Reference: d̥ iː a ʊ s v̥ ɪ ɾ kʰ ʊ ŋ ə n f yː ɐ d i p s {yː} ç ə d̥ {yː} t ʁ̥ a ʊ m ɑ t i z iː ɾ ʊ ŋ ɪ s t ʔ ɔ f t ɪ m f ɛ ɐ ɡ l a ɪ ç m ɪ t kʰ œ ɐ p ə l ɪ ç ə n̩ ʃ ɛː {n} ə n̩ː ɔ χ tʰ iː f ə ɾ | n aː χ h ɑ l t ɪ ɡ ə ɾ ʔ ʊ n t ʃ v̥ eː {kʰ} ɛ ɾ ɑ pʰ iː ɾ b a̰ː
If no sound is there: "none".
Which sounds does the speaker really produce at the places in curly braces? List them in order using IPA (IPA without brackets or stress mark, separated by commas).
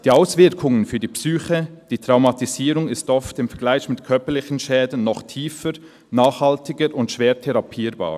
yː, iː, d, tʰ